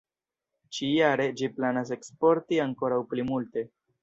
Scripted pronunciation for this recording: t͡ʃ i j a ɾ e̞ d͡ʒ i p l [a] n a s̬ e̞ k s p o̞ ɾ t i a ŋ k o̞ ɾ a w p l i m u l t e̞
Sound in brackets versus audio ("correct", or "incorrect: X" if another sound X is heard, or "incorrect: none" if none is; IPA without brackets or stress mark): correct